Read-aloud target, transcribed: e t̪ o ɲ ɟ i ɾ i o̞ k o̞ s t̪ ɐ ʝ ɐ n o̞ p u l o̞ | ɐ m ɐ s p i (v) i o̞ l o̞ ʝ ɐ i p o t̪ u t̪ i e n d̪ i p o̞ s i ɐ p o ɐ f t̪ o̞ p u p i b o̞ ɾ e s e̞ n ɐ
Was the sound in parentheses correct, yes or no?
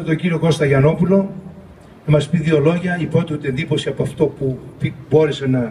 no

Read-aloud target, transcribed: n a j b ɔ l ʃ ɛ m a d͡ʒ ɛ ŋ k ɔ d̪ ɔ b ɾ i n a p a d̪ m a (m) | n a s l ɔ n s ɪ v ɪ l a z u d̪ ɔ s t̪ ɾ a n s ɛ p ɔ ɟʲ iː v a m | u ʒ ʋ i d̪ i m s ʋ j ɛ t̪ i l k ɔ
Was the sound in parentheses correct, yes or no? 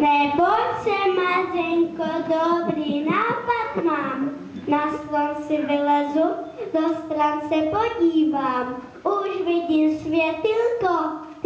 yes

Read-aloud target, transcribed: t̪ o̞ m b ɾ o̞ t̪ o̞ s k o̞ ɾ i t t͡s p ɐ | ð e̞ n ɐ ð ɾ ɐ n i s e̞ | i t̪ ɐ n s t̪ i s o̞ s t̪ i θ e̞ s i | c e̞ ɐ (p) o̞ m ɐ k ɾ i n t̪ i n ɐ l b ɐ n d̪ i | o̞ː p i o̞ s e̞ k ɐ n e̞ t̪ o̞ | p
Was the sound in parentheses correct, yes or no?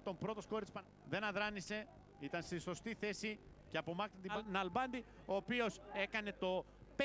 yes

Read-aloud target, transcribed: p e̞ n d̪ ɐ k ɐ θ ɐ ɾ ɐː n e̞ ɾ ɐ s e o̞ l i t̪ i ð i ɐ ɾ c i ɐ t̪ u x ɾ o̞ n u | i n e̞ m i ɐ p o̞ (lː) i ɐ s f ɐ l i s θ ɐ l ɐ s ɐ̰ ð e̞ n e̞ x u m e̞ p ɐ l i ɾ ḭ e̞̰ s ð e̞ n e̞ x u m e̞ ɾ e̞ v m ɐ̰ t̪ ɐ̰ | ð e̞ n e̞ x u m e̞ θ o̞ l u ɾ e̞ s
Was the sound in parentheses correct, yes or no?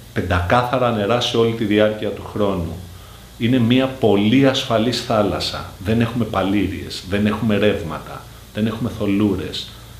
no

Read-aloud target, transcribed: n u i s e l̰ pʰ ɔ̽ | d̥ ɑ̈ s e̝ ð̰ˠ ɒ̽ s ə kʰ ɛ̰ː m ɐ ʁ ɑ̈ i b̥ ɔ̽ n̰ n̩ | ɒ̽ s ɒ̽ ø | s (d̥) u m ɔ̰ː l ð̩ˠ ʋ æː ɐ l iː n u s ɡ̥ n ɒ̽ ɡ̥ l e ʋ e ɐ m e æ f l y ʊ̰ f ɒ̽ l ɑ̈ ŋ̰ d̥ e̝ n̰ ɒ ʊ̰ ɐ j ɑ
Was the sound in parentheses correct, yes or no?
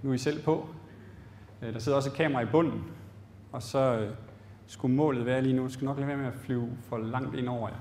no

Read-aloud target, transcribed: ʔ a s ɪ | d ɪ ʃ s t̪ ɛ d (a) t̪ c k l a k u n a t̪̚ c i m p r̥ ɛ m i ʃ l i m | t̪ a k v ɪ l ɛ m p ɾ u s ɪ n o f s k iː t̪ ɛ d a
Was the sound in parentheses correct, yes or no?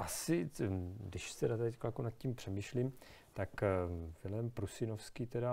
yes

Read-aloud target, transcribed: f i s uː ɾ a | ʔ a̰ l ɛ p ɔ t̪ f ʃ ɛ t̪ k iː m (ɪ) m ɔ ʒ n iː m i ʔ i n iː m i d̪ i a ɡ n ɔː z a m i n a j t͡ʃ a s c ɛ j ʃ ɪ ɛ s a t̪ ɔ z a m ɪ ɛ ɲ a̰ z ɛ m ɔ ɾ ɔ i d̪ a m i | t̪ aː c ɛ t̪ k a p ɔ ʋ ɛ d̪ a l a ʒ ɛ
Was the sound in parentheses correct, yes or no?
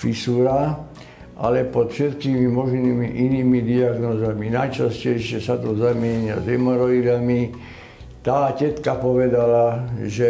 no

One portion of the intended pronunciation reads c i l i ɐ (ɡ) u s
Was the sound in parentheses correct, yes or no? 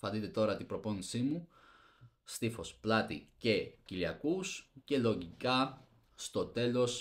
no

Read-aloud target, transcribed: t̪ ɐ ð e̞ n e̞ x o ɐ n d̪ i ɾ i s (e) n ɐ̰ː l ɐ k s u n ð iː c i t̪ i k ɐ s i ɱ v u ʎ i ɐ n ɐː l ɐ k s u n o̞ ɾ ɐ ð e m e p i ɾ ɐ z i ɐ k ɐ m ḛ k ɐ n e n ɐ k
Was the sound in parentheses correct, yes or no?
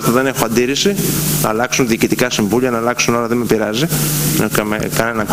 no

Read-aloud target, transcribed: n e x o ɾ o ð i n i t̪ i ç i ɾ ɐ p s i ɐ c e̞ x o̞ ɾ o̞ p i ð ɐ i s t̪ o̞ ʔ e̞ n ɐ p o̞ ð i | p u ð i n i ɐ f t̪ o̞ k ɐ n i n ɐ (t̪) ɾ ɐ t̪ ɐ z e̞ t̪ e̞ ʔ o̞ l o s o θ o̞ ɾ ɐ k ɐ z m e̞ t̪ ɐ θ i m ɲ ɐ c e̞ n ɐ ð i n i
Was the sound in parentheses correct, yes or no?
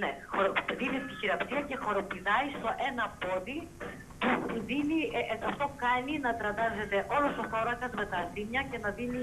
yes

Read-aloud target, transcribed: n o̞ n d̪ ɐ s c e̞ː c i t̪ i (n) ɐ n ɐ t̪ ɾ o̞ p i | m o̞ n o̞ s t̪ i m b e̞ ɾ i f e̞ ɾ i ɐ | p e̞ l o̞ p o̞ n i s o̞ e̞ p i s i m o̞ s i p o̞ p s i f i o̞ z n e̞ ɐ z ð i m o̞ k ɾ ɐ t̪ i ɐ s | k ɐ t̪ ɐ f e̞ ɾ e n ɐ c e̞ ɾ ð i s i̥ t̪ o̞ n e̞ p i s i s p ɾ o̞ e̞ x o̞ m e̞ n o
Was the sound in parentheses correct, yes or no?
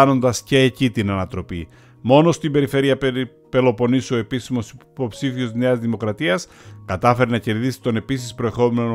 yes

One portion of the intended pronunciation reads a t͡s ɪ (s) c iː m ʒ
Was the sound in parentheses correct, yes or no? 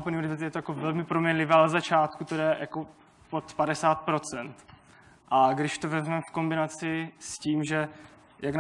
yes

